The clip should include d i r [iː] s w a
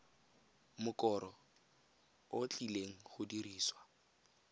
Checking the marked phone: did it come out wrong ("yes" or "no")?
no